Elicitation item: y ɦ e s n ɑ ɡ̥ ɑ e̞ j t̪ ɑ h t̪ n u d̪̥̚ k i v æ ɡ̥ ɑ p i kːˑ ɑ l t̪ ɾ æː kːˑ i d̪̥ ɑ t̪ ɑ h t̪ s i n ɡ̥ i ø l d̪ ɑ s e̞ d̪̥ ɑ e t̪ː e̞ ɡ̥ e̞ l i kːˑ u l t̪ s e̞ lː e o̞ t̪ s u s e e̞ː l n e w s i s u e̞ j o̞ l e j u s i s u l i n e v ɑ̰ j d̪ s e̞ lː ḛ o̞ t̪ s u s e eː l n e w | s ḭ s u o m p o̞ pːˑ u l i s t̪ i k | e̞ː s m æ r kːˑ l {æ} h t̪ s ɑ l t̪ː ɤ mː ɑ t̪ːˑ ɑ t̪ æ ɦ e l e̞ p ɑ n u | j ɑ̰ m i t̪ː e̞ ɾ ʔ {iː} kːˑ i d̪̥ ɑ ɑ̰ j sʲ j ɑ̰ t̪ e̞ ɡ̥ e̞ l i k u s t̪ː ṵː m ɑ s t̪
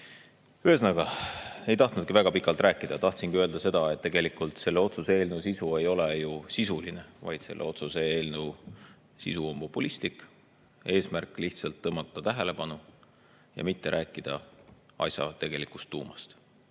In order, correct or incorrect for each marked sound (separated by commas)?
incorrect, incorrect